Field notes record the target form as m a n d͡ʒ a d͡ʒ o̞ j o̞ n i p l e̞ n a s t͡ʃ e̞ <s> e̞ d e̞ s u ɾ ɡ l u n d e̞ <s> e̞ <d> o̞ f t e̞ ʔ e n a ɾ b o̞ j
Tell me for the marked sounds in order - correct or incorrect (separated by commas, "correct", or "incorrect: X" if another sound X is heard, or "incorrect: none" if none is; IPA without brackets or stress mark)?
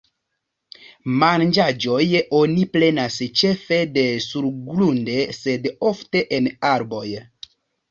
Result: incorrect: f, correct, correct